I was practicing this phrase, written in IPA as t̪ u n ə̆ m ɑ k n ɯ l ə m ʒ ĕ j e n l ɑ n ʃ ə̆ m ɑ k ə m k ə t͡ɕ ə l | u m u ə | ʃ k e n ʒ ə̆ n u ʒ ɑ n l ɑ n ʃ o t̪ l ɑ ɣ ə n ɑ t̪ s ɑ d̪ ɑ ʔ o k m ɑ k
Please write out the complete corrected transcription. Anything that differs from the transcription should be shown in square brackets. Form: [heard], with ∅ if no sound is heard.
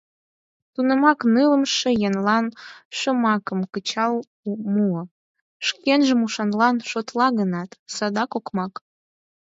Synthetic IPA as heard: t̪ u n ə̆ m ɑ k n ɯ l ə m [ʃ] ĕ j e n l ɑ n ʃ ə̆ m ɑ k ə m k ə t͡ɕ [ɑ] l | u m u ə | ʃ k e n ʒ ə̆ [m] u [ʃ] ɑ n l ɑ n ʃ o t̪ l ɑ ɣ ə n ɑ t̪ s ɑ d̪ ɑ [k] o k m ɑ k

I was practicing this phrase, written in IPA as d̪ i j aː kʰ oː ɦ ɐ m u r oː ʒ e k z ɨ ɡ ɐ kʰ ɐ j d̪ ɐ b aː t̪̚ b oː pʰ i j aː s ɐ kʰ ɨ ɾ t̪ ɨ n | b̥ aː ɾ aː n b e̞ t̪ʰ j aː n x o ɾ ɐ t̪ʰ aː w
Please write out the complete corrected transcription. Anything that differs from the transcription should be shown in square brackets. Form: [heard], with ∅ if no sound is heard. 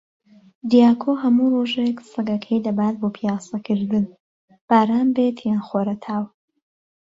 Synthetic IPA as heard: d̪ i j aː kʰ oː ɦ ɐ m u r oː ʒ e k [s] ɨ ɡ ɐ kʰ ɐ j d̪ ɐ b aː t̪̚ b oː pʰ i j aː s ɐ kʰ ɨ ɾ [d̪] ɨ n | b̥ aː ɾ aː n b e̞ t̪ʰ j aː n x o ɾ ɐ t̪ʰ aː w

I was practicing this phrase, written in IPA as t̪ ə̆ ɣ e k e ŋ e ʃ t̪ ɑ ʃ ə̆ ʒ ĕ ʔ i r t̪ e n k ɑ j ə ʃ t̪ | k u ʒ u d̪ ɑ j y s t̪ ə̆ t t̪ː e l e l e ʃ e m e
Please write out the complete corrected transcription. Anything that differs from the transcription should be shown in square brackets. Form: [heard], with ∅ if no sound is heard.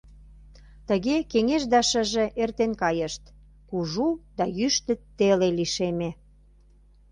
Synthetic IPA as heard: t̪ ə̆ ɣ e k e ŋ e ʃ [d̪] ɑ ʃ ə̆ ʒ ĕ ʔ [e] r t̪ e n k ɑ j ə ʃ t̪ | k u ʒ u d̪ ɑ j y [ʃ] t̪ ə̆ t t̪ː e l e l [i] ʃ e m e

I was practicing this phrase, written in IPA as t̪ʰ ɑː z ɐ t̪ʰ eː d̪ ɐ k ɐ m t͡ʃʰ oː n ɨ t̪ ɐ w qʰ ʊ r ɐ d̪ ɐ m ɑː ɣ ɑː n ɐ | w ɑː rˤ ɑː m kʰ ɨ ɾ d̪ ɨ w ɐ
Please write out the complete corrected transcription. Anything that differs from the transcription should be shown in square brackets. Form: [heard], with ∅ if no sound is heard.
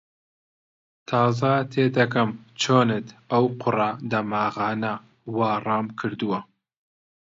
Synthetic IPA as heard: t̪ʰ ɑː z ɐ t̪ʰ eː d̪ ɐ k ɐ m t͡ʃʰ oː n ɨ t̪ ɐ w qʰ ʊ r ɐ d̪ ɐ m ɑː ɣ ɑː n ɐ | w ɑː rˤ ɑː m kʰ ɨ ɾ d̪ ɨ w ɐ

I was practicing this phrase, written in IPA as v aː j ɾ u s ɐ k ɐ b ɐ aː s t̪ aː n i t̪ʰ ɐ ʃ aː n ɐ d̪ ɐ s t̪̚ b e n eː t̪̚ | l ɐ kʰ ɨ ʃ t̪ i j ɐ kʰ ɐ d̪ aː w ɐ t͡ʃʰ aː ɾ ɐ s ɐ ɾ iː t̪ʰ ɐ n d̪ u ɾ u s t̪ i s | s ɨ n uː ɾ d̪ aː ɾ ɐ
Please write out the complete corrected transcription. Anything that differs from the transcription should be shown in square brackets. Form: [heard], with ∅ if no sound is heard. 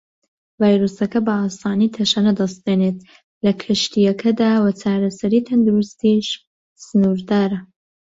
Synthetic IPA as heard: v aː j ɾ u s ɐ k ɐ b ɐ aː s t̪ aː n i t̪ʰ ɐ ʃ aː n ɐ d̪ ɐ s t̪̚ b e n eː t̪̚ | l ɐ kʰ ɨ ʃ t̪ i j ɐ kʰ ɐ d̪ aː w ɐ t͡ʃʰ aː ɾ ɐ s ɐ ɾ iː t̪ʰ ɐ n d̪ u ɾ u s t̪ i [ʃ] | s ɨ n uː ɾ d̪ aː ɾ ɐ

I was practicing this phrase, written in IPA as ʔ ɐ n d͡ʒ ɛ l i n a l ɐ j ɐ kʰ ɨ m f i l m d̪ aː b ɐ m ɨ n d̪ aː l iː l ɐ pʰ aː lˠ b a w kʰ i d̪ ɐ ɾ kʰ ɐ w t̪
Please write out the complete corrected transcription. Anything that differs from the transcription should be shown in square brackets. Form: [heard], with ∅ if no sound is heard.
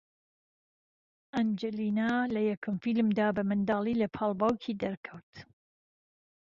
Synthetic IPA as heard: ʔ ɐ n d͡ʒ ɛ l i n a l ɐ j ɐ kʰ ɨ m f i l m d̪ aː b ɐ m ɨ n d̪ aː l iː l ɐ pʰ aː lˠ b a w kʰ i d̪ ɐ ɾ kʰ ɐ w t̪

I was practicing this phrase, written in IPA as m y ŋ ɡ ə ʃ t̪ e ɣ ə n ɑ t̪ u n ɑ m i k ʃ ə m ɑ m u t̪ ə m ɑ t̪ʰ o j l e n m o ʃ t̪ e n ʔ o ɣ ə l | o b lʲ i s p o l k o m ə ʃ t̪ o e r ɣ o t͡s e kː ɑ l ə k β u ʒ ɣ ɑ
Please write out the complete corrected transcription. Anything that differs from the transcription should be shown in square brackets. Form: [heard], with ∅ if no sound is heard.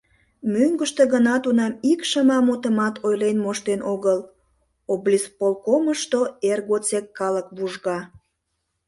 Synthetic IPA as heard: m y ŋ ɡ ə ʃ t̪ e ɣ ə n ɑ t̪ u n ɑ m i k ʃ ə m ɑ m u t̪ ə m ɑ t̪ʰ o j l e n m o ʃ t̪ e n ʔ o ɣ ə l | o b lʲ i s p o l k o m ə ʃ t̪ o e r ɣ o t͡s e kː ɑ l ə k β u ʒ ɣ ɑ

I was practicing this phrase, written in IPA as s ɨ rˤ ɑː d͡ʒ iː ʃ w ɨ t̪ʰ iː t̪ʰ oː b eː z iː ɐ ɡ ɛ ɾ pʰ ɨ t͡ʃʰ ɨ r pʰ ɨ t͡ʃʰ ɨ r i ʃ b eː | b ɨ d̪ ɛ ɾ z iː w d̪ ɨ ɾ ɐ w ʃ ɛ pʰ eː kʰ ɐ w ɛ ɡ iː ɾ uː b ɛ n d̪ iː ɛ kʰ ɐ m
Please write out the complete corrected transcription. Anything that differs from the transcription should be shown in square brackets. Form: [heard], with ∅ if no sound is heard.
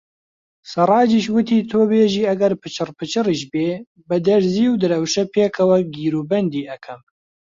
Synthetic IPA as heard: s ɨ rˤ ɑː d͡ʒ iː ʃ w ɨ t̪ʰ iː t̪ʰ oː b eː [ʒ] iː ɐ ɡ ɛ ɾ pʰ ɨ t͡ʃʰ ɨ r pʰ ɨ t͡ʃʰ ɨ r i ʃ b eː | b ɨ d̪ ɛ ɾ z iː w d̪ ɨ ɾ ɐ w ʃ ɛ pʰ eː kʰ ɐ w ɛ ɡ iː ɾ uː b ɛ n d̪ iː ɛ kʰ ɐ m

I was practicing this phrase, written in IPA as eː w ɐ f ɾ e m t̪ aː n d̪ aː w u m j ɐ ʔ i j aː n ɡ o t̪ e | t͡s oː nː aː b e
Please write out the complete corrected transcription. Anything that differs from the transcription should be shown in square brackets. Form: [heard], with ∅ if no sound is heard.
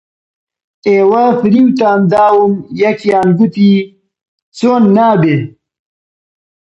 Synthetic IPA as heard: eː w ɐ f ɾ [i] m t̪ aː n d̪ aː w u m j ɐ [k] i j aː n ɡ [u] t̪ [i] | t͡s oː nː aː b e

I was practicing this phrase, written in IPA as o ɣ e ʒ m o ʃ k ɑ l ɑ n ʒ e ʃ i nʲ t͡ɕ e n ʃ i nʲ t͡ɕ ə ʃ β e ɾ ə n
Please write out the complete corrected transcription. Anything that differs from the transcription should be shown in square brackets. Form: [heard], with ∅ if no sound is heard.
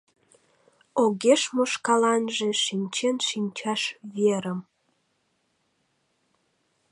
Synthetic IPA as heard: o ɣ e [ʃ] m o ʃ k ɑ l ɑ n ʒ e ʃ i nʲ t͡ɕ e n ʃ i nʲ t͡ɕ [ɑ] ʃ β e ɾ ə [m]

